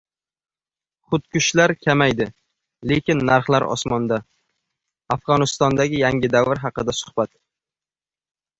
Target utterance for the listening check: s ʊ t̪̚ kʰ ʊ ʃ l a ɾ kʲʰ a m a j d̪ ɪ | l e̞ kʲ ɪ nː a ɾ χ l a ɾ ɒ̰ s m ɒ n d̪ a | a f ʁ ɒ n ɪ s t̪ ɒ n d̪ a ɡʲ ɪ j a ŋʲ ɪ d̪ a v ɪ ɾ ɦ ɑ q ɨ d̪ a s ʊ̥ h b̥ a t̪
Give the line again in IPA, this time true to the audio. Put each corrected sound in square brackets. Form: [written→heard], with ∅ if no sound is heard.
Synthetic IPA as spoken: [s→χ] ʊ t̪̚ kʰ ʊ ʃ l a ɾ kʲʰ a m a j d̪ ɪ | l e̞ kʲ ɪ nː a ɾ χ l a ɾ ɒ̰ s m ɒ n d̪ a | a f ʁ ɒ n ɪ s t̪ ɒ n d̪ a ɡʲ ɪ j a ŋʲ ɪ d̪ a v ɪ ɾ ɦ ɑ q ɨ d̪ a s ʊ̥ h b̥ a t̪

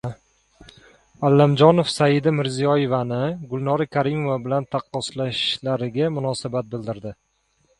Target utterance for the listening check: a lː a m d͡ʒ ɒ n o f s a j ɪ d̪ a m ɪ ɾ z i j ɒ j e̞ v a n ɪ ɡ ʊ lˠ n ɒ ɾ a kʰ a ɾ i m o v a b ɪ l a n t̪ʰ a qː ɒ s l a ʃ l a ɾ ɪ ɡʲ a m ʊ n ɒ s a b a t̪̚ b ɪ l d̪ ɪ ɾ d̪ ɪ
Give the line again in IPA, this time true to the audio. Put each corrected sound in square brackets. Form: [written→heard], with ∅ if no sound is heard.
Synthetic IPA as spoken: a lː a m d͡ʒ ɒ n o f s a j ɪ d̪ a m ɪ ɾ z i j ɒ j e̞ v a n ɪ ɡ ʊ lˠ n ɒ ɾ a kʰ a ɾ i m o v a b ɪ l a n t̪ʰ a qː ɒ s l a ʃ l a ɾ ɪ ɡʲ a m ʊ n ɒ s a b a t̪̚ b ɪ l d̪ ɪ ɾ d̪ ɪ

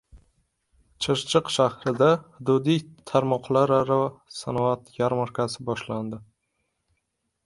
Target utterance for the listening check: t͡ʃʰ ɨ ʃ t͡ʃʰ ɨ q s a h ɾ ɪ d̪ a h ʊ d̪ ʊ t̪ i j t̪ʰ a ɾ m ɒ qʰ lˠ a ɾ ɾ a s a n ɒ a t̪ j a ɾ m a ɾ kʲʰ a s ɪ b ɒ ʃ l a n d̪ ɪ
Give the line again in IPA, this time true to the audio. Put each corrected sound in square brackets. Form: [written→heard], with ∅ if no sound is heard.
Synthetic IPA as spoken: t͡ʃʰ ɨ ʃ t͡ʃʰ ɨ q [s→ʃ] a h ɾ ɪ d̪ a h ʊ d̪ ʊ [t̪→d̪] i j t̪ʰ a ɾ m ɒ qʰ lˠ a ɾ ɾ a s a n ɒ a t̪ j a ɾ m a ɾ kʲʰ a s ɪ b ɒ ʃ l a n d̪ ɪ

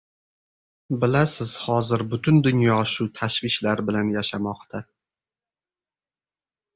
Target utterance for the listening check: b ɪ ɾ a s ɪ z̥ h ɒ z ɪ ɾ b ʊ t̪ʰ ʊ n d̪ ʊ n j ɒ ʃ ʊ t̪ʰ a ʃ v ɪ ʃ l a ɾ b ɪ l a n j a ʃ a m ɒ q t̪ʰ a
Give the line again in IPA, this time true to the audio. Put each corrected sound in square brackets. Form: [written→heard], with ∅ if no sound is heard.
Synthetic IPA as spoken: b ɪ [ɾ→l] a s ɪ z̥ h ɒ z ɪ ɾ b ʊ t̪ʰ ʊ n d̪ ʊ n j ɒ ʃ ʊ t̪ʰ a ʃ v ɪ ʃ l a ɾ b ɪ l a n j a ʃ a m ɒ q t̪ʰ a

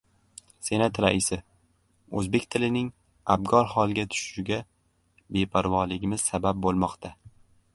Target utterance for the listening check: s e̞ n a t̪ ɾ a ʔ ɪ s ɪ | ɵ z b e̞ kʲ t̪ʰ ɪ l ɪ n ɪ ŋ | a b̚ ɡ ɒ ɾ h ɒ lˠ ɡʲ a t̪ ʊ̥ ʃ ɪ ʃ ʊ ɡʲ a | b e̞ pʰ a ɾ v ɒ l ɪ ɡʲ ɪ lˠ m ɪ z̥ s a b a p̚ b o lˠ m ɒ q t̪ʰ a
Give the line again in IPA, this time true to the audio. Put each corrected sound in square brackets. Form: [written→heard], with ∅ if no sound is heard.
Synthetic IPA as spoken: s e̞ n a t̪ ɾ a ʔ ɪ s ɪ | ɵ z b e̞ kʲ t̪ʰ ɪ l ɪ n ɪ ŋ | a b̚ ɡ ɒ ɾ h ɒ lˠ ɡʲ a [t̪→t̪ʰ] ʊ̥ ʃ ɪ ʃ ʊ ɡʲ a | b e̞ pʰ a ɾ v ɒ l ɪ ɡʲ ɪ [lˠ→∅] m ɪ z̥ s a b a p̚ b o lˠ m ɒ q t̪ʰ a

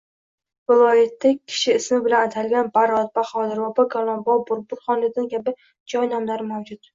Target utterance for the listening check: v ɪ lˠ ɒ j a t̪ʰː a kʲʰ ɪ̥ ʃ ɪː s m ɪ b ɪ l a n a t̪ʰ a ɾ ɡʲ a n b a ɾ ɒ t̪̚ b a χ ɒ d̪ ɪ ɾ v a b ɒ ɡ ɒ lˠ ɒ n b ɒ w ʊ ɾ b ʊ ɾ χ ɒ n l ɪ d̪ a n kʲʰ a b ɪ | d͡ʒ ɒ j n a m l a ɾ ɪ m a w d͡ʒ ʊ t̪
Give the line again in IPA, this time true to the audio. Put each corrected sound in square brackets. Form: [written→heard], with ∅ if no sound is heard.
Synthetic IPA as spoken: v ɪ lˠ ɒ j a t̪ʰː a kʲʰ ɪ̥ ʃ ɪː s m ɪ b ɪ l a n a t̪ʰ a [ɾ→l] ɡʲ a n b a ɾ ɒ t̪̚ b a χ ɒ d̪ ɪ ɾ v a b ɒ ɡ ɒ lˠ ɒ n b ɒ [w→b] ʊ ɾ b ʊ ɾ χ ɒ n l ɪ d̪ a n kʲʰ a b ɪ | d͡ʒ ɒ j n a m l a ɾ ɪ m a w d͡ʒ ʊ t̪

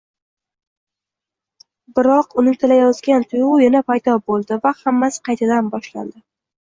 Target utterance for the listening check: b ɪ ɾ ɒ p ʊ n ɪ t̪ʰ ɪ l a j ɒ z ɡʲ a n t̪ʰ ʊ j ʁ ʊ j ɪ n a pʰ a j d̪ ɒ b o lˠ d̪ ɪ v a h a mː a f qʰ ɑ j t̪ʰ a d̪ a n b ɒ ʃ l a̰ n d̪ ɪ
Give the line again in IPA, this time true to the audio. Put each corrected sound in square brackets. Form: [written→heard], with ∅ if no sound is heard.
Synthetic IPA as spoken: b ɪ ɾ ɒ [p→q] ʊ n ɪ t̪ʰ ɪ l a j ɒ z ɡʲ a n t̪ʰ ʊ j ʁ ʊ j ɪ n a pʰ a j d̪ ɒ b o lˠ d̪ ɪ v a h a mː a [f→s] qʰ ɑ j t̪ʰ a d̪ a n b ɒ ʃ l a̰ n d̪ ɪ

